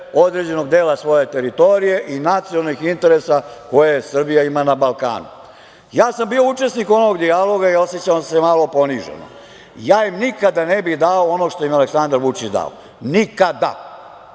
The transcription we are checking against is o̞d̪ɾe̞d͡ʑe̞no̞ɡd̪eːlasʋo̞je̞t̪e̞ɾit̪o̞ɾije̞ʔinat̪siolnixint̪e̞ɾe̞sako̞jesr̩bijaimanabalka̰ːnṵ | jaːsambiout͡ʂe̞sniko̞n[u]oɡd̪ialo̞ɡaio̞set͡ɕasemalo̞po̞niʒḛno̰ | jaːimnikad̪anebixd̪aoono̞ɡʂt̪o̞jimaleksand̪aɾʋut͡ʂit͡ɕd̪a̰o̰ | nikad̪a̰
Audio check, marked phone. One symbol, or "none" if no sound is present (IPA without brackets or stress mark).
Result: o